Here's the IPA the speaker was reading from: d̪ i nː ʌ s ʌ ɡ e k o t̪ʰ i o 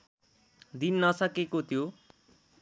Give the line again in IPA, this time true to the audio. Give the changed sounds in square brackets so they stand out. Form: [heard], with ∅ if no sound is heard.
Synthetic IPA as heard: d̪ i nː ʌ s ʌ [k] e k o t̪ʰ [j] o